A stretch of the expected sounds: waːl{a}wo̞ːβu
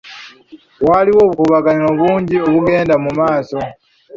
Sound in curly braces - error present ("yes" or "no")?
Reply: yes